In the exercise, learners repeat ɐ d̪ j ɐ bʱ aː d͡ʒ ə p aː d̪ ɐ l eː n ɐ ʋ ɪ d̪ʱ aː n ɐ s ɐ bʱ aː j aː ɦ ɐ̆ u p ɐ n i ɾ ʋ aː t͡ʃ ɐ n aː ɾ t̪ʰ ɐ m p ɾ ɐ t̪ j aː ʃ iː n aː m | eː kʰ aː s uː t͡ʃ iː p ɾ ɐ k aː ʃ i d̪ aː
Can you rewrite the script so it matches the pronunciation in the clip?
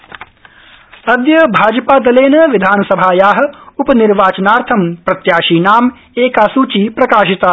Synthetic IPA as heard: ɐ d̪ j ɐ bʱ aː d͡ʒ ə p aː d̪ ɐ l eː n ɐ ʋ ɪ d̪ʱ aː n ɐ s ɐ bʱ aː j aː ɦ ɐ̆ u p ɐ n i ɾ ʋ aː t͡ʃ ɐ n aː ɾ t̪ʰ ɐ m p ɾ ɐ t̪ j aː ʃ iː n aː m | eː k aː s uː t͡ʃ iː p ɾ ɐ k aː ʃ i t̪ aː